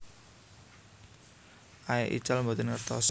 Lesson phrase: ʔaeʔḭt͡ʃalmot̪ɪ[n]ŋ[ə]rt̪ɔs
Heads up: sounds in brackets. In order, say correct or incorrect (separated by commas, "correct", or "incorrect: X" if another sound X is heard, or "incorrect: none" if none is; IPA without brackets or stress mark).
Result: correct, correct